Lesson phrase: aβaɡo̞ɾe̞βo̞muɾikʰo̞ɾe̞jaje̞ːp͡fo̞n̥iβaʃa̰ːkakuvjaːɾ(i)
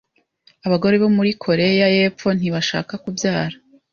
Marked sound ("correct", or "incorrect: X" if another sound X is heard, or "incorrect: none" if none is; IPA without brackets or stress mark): incorrect: a